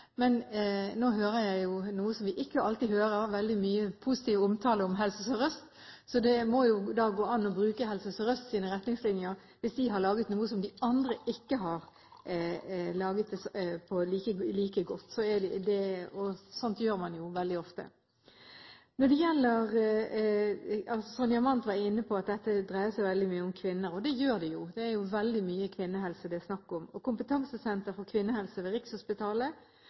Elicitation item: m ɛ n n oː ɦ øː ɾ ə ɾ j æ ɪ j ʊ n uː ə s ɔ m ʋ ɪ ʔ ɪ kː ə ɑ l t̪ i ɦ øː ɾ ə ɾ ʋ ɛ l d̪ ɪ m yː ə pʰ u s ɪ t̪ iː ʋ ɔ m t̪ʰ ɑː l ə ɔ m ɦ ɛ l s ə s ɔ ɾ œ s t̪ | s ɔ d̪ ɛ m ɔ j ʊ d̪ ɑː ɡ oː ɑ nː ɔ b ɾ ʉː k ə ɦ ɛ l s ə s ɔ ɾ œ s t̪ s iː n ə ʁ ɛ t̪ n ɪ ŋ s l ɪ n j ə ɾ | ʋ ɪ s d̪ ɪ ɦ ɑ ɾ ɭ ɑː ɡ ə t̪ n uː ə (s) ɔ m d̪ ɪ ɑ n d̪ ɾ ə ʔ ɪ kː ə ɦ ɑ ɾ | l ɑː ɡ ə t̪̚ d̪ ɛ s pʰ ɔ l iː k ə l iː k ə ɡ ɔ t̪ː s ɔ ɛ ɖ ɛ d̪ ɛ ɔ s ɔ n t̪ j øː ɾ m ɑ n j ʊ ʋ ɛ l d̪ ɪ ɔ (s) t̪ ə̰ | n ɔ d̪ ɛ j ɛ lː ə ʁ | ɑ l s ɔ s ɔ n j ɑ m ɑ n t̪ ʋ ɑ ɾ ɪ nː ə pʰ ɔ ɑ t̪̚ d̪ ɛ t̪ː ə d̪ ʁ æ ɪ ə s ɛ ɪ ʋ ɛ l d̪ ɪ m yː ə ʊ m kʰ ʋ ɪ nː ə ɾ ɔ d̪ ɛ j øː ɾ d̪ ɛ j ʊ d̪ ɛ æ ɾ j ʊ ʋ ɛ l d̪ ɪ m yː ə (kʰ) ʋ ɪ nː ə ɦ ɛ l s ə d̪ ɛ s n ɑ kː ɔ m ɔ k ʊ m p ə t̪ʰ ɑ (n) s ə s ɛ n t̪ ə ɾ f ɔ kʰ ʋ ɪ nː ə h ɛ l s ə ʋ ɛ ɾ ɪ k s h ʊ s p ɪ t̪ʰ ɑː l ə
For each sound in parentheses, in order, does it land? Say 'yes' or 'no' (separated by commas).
yes, no, yes, no